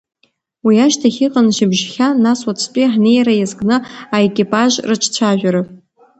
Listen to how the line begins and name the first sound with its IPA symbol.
w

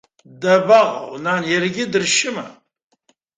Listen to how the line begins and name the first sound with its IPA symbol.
d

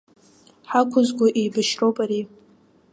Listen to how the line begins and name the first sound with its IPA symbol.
ħ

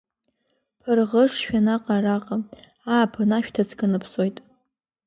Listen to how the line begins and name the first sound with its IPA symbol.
pʰ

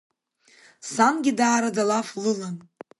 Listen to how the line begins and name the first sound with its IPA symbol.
s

